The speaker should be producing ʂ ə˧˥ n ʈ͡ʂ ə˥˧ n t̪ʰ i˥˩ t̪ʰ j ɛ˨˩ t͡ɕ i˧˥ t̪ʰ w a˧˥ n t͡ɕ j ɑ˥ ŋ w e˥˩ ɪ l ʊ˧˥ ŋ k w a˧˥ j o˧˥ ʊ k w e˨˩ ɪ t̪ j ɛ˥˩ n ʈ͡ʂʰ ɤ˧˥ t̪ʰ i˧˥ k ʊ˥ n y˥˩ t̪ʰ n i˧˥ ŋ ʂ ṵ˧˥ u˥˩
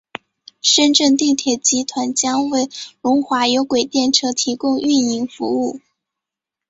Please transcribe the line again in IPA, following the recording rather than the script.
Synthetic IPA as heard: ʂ ə˥ n ʈ͡ʂ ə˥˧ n t̪ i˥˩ t̪ʰ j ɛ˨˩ t͡ɕ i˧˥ t̪ʰ w a˧˥ n t͡ɕ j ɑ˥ ŋ w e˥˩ ɪ l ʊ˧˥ ŋ x w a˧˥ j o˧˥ ʊ k w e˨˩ ɪ t̪ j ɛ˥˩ n ʈ͡ʂʰ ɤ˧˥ t̪ʰ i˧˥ k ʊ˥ ŋ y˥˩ n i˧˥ ŋ f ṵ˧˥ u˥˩

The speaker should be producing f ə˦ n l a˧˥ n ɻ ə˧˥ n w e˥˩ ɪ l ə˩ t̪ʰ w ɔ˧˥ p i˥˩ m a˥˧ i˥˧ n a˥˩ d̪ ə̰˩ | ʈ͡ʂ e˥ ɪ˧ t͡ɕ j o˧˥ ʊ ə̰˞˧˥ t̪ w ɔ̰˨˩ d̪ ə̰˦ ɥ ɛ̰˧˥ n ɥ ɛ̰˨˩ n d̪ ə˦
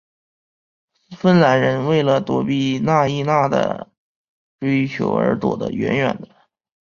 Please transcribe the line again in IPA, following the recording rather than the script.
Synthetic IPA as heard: f ə˥˩ n l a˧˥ n ɻ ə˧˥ n w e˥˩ ɪ l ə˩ t̪ w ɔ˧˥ p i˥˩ n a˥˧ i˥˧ n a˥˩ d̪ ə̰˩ | ʈ͡ʂ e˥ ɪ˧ t͡ɕʰ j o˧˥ ʊ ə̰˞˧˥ t̪ w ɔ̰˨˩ d̪ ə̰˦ ɥ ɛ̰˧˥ n ɥ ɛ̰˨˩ n d̪ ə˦

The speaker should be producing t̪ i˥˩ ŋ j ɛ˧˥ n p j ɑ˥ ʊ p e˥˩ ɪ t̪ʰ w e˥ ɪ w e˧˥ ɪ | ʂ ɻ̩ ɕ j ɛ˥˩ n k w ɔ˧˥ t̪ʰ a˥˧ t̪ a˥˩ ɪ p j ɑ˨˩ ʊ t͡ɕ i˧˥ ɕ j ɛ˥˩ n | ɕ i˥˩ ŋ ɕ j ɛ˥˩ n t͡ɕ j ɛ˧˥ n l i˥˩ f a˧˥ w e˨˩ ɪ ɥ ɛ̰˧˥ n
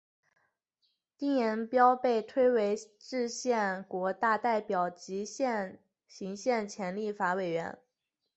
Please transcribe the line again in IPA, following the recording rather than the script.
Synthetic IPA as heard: t̪ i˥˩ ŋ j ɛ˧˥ n p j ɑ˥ ʊ p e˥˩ ɪ t̪ʰ w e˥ ɪ w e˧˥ ɪ | ʈ͡ʂ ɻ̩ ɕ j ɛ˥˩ n k w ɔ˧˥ t̪ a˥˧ t̪ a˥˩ ɪ p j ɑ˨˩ ʊ t͡ɕ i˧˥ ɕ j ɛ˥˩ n | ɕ i˧˥ ŋ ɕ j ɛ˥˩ n t͡ɕʰ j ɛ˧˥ n l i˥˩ f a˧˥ w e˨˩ ɪ ɥ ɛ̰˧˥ n

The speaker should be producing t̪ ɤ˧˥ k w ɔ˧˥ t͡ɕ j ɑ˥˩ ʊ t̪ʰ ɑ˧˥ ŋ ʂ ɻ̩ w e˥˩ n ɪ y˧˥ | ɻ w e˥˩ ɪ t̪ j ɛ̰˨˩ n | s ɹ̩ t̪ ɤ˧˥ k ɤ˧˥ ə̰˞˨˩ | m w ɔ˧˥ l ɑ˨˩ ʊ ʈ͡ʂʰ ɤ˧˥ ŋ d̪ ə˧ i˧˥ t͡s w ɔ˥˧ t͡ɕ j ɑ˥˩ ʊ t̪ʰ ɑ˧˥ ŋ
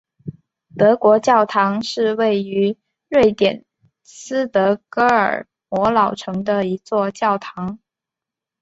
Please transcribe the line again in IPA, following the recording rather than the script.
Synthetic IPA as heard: t̪ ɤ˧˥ k w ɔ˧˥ t͡ɕ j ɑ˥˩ ʊ t̪ʰ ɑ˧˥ ŋ ʂ ɻ̩ w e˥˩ ɪ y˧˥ | ɻ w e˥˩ ɪ t̪ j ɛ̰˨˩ n | s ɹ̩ t̪ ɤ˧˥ k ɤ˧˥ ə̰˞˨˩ | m w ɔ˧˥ l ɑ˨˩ ʊ ʈ͡ʂʰ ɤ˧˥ ŋ d̪ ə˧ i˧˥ t͡s w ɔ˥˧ t͡ɕ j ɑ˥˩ ʊ t̪ʰ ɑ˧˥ ŋ

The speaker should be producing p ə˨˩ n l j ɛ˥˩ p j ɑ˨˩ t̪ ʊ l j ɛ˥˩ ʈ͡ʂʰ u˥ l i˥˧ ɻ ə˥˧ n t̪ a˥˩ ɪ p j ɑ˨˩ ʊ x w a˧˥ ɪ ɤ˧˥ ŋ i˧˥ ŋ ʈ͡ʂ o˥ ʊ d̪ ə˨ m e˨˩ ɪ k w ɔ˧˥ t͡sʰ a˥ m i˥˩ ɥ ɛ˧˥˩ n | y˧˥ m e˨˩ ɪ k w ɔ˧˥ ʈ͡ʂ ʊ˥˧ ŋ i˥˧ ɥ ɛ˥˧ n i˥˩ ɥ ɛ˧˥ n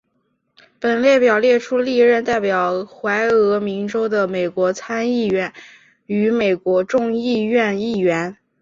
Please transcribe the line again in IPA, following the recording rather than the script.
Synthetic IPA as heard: p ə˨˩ n l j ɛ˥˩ p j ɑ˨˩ ʊ l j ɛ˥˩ ʈ͡ʂʰ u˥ l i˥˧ ɻ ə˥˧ n t̪ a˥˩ ɪ p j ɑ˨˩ ʊ x w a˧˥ ɪ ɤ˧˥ m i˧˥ ŋ ʈ͡ʂ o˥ ʊ d̪ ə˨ m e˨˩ ɪ k w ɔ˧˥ t͡sʰ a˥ n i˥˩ ɥ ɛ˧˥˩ n | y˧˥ m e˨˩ ɪ k w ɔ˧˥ ʈ͡ʂ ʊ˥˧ ŋ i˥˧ ɥ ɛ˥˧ n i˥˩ ɥ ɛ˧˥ n

